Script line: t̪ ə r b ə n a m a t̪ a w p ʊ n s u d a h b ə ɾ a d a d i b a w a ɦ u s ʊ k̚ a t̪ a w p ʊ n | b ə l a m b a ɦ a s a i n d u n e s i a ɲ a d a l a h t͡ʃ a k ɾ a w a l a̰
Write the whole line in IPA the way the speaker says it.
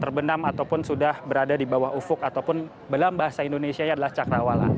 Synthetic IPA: t̪ ə r b ə n a m a t̪ a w p ʊ n s u d a h b ə ɾ a d a d i b a w a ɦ u f ʊ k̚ a t̪ a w p ʊ n | b ə l a m b a ɦ a s a i n d o n e s i a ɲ a d a l a h t͡ʃ a k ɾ a w a l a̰